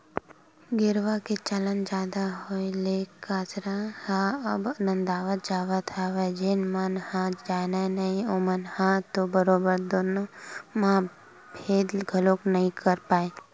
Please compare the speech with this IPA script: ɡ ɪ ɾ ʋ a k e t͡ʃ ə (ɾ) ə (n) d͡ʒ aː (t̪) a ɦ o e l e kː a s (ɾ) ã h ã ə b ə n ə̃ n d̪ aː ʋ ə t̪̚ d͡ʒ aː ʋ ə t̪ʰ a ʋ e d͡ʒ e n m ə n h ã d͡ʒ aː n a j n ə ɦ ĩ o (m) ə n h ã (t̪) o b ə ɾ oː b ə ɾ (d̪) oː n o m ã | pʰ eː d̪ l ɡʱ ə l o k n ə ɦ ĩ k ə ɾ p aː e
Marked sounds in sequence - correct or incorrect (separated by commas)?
incorrect, correct, incorrect, correct, correct, correct, correct